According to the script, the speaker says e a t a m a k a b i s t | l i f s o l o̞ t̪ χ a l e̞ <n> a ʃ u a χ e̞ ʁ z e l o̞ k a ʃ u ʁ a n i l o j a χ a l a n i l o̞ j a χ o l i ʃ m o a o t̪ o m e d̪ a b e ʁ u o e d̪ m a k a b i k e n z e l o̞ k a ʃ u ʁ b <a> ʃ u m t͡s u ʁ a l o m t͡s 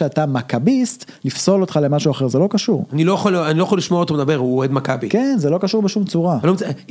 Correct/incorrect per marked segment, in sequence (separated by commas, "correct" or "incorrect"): incorrect, incorrect